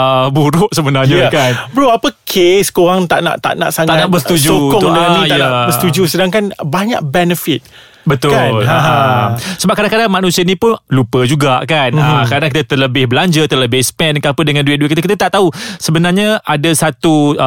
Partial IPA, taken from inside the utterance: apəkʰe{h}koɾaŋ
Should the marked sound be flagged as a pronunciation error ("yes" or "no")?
yes